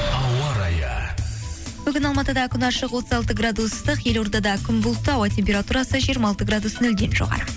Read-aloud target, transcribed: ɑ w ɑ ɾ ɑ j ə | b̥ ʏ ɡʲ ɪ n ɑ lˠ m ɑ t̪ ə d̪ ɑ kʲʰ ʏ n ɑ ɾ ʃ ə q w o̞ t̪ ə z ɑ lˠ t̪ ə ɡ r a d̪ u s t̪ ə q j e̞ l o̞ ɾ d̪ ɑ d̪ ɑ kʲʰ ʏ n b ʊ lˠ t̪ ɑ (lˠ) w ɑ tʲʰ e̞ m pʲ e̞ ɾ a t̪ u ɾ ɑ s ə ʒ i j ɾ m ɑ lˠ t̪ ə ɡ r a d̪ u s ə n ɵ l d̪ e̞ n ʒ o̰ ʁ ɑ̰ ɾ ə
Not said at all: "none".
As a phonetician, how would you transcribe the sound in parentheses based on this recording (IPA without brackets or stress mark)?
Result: none